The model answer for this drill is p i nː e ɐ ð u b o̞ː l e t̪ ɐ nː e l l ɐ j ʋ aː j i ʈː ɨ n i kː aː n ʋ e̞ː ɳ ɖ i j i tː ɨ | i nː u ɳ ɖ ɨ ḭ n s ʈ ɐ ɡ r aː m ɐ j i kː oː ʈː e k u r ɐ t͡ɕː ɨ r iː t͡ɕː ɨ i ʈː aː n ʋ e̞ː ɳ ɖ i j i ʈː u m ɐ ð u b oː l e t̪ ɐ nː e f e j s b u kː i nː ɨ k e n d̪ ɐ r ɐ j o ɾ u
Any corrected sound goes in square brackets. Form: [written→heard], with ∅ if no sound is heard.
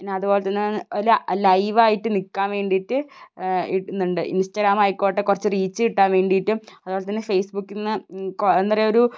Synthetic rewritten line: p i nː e ɐ ð u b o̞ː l e t̪ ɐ nː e l l ɐ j ʋ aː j i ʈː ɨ n i kː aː n ʋ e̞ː ɳ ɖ i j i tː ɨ | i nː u ɳ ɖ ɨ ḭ n s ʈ ɐ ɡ [r→ɾ] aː m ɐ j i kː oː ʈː e k u r ɐ t͡ɕː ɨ r iː t͡ɕː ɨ i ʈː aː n ʋ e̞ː ɳ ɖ i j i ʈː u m ɐ ð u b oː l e t̪ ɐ nː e f e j s b u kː i nː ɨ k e n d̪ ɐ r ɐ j o ɾ u